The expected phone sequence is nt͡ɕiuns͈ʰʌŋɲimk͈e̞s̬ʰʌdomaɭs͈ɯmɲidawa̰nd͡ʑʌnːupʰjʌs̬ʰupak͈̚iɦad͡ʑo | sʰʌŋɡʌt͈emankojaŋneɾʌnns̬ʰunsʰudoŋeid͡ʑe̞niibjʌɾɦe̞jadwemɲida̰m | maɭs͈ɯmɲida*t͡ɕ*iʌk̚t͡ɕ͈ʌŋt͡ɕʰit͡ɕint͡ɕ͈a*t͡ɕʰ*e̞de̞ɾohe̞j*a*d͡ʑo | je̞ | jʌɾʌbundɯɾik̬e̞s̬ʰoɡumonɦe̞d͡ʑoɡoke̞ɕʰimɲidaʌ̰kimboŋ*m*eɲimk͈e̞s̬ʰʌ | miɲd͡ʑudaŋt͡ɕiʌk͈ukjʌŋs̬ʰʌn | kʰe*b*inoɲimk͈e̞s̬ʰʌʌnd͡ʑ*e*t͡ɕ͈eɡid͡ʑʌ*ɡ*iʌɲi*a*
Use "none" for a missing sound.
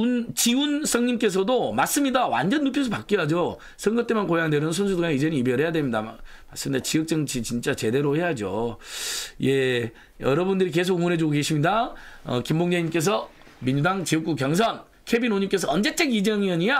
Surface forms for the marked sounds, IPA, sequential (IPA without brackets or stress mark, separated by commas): t͡ɕ, t͡ɕ, a, ɲ, b, e, ŋ, a